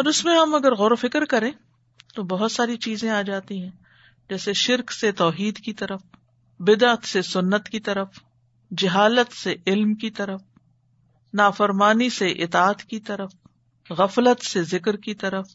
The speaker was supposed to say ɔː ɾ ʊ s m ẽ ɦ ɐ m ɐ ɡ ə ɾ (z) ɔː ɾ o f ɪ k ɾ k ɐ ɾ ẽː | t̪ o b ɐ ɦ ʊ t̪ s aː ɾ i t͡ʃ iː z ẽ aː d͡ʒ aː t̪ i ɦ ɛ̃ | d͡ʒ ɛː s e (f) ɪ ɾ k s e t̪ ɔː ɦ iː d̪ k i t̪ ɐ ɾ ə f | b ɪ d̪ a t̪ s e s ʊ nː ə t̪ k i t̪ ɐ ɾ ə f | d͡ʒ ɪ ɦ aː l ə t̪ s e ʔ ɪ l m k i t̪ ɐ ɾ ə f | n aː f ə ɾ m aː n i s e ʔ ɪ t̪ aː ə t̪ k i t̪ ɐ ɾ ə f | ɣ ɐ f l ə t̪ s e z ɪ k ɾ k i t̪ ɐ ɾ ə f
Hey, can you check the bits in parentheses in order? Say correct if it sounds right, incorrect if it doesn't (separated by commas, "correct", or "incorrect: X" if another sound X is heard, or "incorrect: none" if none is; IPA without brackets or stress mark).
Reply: incorrect: ɣ, incorrect: ʃ